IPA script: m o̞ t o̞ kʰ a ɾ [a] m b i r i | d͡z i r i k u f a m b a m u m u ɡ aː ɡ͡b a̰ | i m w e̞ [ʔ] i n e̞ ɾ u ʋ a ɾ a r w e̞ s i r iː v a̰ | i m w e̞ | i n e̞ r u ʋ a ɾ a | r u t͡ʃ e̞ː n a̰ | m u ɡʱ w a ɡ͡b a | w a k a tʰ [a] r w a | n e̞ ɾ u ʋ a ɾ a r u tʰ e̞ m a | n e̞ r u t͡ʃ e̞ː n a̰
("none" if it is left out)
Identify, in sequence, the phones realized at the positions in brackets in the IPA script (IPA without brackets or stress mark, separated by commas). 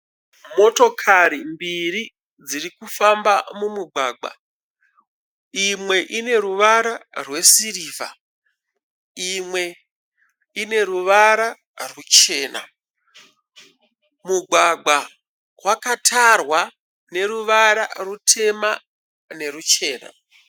i, ʔ, a